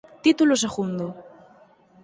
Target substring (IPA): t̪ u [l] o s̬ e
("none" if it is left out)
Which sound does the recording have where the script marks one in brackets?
l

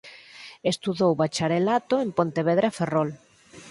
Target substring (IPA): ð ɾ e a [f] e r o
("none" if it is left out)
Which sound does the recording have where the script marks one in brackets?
f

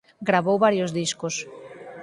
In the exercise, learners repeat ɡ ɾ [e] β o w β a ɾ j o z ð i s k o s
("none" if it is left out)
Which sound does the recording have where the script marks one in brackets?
a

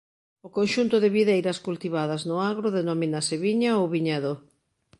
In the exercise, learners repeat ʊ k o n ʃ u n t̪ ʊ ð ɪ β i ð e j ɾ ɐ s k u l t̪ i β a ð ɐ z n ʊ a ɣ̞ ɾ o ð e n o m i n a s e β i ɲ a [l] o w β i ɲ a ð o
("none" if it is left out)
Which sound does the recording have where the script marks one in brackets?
none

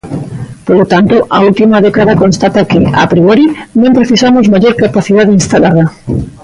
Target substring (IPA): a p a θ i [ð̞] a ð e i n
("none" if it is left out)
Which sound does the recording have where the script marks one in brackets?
ð̞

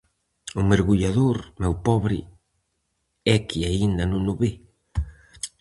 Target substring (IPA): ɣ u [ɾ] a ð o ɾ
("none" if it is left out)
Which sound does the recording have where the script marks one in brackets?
ʎ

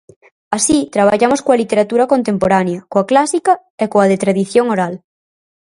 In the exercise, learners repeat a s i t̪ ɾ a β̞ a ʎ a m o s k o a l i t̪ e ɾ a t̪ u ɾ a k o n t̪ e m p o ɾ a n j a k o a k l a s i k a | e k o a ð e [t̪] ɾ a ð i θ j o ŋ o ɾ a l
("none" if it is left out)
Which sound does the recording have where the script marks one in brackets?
t̪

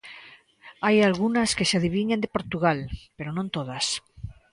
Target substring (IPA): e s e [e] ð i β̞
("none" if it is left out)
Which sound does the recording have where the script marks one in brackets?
a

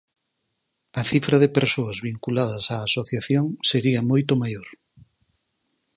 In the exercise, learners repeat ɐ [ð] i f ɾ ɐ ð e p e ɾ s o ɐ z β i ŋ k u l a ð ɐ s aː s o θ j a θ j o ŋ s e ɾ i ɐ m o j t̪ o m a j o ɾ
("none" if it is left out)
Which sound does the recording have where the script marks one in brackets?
θ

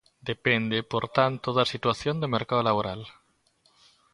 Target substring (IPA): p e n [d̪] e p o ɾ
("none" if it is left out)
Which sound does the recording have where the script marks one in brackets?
d̪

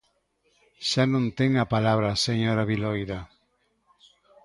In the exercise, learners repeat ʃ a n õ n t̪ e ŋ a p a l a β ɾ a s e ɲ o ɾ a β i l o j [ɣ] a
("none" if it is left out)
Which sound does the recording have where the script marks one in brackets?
ð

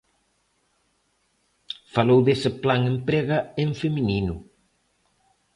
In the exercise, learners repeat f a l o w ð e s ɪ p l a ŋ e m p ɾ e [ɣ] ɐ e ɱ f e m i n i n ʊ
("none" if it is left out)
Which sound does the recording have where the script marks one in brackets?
ɣ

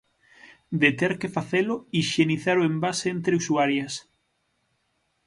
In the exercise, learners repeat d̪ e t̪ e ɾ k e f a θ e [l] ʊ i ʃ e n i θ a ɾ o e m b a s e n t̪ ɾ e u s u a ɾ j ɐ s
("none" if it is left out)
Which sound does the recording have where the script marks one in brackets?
l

